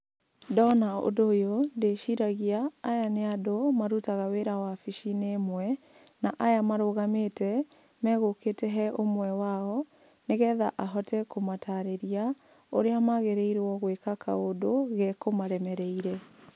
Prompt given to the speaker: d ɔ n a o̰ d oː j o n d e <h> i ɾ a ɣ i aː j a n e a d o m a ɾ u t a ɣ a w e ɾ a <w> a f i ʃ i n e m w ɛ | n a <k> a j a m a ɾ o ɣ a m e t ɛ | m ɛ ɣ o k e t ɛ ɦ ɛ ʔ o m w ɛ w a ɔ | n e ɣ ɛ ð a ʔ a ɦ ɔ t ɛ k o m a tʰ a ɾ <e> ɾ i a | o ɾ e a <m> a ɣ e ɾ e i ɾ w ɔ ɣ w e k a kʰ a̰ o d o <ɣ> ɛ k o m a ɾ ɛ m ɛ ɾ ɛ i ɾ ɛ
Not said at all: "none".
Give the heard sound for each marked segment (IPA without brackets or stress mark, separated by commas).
ʃ, w, ʔ, e, m, ɣ